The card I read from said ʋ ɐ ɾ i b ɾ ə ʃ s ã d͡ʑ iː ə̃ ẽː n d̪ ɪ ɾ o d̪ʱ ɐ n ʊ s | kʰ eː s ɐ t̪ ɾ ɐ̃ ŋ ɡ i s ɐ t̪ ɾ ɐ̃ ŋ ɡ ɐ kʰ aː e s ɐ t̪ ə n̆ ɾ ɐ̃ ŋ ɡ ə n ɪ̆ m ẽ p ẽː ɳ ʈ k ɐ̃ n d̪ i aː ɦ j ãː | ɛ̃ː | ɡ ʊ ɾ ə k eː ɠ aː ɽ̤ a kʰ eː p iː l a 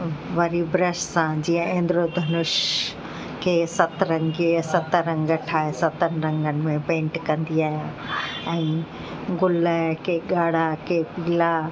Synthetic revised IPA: ʋ ɐ ɾ i b ɾ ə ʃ s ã d͡ʑ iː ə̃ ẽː n d̪ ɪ ɾ o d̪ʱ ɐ n ʊ ʃ | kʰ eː s ɐ t̪ ɾ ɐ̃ ŋ ɡ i s ɐ t̪ ɾ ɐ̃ ŋ ɡ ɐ ʈʰ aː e s ɐ t̪ ə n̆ ɾ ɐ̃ ŋ ɡ ə n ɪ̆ m ẽ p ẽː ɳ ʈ k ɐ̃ n d̪ i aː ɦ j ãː | ɛ̃ː | ɡ ʊ l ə k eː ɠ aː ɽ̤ a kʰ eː p iː l a